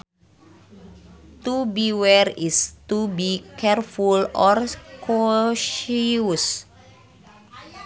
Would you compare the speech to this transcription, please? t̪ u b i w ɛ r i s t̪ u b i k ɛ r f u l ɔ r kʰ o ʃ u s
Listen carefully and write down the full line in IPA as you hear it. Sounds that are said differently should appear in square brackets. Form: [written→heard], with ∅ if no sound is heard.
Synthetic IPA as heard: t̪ u b i w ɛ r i s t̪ u b i k ɛ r f u l ɔ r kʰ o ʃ u s